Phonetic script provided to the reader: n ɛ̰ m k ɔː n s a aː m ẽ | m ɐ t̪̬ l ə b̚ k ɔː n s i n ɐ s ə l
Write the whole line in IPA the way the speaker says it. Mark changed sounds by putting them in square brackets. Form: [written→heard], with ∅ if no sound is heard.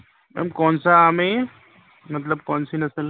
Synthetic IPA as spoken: [n→m] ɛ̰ m k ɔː n s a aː m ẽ | m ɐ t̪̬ l ə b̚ k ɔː n s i n ɐ s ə l